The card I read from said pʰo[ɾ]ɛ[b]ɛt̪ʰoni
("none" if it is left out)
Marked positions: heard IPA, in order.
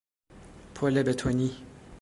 l, b

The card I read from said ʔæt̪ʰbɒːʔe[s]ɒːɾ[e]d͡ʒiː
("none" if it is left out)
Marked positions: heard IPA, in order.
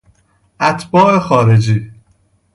x, e

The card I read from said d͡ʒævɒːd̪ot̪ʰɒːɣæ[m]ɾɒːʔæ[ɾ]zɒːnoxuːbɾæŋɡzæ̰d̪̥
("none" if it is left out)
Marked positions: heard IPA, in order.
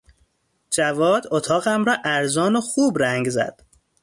m, ɾ

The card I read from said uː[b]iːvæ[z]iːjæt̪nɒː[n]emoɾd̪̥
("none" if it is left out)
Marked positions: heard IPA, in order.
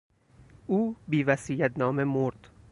b, s, m

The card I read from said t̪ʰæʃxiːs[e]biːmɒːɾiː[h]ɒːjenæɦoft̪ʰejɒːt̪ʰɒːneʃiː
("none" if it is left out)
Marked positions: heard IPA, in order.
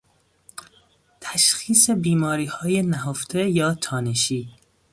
e, h

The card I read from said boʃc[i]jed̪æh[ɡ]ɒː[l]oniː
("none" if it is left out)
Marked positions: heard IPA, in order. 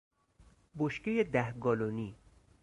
e, ɡ, l

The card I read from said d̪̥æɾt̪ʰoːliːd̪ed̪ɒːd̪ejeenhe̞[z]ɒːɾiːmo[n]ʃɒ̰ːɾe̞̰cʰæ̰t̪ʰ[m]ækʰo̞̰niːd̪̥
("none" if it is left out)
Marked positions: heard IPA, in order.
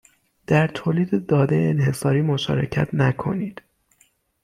s, none, n

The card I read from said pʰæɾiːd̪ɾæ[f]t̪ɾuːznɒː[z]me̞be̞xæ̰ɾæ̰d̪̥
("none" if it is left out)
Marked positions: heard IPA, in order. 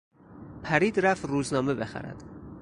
f, none

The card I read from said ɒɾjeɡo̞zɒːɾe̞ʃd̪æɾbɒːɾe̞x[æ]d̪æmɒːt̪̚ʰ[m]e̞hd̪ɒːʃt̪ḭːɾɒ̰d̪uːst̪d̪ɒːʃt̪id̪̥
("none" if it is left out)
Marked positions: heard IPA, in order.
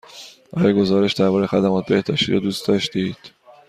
æ, b

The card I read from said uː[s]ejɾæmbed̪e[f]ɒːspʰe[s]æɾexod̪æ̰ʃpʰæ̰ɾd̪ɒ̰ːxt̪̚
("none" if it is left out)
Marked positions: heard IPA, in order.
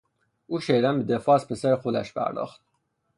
ʃ, f, s

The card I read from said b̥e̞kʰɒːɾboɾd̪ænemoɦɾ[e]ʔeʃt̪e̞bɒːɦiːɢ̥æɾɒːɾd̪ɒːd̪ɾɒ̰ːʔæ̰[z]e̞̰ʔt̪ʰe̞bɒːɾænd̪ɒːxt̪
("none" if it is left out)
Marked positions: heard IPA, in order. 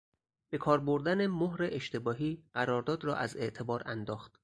e, z

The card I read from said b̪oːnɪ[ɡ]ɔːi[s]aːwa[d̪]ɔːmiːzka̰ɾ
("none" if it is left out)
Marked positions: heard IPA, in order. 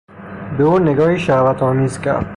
ɡ, ʃ, t̪

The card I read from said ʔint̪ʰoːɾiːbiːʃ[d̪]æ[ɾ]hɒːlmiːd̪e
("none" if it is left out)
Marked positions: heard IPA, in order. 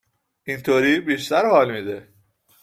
t̪, ɾ

